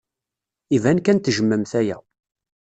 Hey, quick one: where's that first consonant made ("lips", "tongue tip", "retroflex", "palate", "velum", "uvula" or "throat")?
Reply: lips